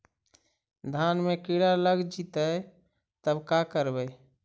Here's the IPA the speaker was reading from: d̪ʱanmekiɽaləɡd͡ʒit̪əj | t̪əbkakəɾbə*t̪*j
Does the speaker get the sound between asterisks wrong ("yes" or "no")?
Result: yes